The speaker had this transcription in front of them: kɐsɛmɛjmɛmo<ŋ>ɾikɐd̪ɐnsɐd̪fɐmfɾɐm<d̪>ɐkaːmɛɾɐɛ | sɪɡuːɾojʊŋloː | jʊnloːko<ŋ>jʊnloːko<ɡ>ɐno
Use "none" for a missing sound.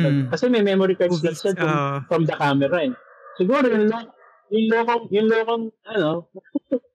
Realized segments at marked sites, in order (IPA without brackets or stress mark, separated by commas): none, d̪, ŋ, ŋ